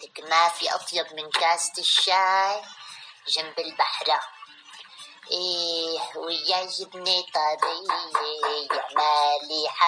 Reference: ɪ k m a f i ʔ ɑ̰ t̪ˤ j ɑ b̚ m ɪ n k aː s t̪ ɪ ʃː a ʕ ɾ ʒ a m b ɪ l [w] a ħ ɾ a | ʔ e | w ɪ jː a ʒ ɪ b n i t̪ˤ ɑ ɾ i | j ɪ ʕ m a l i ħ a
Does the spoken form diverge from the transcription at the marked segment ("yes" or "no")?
yes